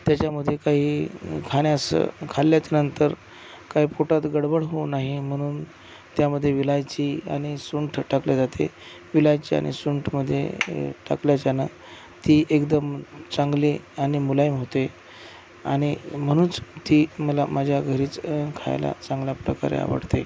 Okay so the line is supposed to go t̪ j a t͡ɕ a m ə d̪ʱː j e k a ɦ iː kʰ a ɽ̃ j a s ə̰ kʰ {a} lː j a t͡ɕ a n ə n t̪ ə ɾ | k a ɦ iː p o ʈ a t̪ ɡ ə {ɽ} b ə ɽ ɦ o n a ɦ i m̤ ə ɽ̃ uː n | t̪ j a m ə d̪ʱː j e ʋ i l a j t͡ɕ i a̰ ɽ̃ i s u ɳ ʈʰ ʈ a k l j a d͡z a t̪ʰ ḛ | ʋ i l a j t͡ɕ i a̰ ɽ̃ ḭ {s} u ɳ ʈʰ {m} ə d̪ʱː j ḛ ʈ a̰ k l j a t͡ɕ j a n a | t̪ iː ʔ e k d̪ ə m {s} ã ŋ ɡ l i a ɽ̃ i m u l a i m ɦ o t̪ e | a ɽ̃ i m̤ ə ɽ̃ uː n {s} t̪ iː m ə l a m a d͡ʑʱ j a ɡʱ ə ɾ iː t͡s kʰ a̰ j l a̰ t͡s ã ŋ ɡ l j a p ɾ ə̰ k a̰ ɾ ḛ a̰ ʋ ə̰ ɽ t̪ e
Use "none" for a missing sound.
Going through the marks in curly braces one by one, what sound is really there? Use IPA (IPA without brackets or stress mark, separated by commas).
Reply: a, ɽ, s, m, t͡s, t͡s